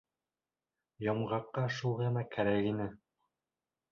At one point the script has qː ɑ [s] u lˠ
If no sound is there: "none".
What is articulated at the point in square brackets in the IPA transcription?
ʃ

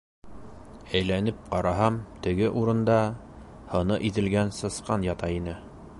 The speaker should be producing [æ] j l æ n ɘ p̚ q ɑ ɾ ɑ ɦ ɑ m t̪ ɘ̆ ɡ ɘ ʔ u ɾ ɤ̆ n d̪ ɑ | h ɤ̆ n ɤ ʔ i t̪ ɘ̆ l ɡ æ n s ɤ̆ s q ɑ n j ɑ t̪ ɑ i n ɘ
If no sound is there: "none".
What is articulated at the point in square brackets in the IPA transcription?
æ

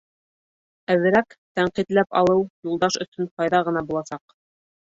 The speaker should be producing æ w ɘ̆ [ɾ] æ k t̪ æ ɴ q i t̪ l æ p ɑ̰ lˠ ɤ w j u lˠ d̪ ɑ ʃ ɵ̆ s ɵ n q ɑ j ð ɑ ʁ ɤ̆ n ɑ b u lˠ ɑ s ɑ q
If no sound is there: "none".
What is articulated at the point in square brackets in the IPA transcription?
ɾ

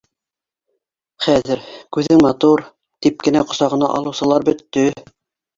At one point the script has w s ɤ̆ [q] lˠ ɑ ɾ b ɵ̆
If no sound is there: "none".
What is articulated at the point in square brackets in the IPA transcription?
none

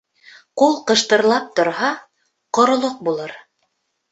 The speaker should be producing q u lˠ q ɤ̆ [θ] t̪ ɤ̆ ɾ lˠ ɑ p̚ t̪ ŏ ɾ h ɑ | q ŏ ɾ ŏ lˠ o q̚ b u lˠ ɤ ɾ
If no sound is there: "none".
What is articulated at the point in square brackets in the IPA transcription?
ʃ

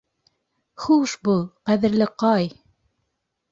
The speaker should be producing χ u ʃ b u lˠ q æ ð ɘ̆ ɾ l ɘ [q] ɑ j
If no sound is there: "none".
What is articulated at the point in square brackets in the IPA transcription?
q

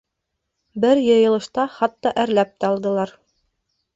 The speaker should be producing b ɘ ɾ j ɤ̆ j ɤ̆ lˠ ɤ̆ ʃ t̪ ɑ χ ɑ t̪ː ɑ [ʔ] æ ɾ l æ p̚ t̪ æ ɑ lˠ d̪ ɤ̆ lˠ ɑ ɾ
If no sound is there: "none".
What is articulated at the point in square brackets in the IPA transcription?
ʔ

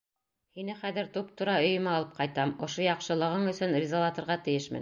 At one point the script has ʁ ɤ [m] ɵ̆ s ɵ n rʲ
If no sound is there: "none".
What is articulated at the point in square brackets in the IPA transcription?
ɴ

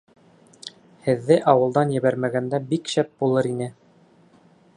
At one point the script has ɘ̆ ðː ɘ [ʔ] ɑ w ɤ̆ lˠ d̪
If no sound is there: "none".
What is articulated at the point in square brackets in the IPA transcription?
ʔ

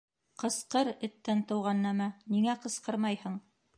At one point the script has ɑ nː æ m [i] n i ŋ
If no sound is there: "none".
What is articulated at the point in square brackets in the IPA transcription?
æ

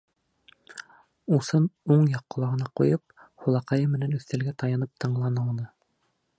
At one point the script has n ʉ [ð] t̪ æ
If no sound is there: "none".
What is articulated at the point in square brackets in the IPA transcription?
θ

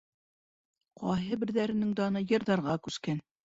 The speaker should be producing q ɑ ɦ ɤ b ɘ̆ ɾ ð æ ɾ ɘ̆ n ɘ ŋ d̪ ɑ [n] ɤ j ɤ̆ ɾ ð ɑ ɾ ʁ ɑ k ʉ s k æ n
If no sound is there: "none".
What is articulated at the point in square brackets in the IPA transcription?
n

